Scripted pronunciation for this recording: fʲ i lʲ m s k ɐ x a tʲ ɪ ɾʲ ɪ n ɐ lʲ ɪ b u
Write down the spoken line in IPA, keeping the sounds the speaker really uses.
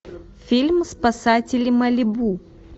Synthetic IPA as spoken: fʲ i lʲ m s p ɐ s a tʲ ɪ lʲ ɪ m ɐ lʲ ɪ b u